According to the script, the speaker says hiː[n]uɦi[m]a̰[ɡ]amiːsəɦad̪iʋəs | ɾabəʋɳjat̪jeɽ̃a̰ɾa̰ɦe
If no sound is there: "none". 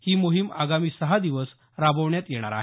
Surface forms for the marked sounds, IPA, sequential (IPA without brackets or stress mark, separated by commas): m, m, ɡ